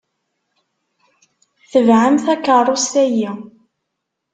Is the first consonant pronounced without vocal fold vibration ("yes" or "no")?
yes